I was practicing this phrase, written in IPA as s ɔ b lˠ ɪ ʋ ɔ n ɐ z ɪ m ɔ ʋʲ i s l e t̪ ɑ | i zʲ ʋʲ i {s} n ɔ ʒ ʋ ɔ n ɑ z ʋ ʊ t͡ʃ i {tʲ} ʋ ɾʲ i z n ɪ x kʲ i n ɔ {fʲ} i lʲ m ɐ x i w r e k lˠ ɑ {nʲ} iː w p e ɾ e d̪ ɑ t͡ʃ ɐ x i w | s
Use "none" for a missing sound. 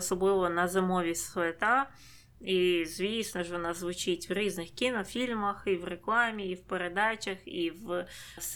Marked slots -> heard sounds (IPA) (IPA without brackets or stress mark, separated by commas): s, tʲ, fʲ, mʲ